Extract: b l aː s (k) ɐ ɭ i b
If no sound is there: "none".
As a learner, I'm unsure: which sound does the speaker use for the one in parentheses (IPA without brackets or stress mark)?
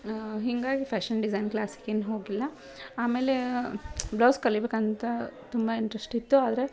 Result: k